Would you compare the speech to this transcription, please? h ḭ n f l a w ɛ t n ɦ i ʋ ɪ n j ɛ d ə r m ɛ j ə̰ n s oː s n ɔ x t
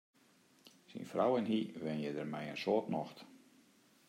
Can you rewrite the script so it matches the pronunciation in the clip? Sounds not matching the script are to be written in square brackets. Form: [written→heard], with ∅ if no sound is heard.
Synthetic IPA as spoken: [h→s] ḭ n f [l→r] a w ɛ [t→∅] n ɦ i ʋ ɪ n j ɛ d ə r m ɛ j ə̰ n s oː [s→t] n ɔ x t